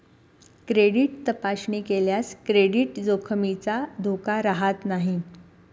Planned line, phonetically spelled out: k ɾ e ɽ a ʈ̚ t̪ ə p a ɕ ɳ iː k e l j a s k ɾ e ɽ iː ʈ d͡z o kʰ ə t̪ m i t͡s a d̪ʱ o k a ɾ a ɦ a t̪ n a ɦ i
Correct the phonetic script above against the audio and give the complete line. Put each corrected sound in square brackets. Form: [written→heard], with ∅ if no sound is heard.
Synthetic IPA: k ɾ e ɽ [a→i] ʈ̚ t̪ ə p a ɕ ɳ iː k e l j a s k ɾ e ɽ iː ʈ d͡z o kʰ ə [t̪→∅] m i t͡s a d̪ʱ o k a ɾ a ɦ a t̪ n a ɦ i